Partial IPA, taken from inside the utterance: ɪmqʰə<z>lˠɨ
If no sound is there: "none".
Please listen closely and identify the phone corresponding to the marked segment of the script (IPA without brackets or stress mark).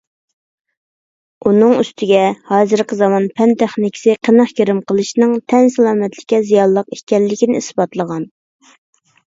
none